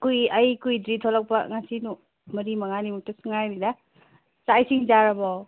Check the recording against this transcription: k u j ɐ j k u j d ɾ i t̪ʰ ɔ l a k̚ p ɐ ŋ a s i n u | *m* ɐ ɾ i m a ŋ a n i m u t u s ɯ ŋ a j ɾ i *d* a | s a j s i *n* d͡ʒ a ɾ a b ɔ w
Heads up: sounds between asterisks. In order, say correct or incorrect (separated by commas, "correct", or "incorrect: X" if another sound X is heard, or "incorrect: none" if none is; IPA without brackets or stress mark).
correct, correct, incorrect: ŋ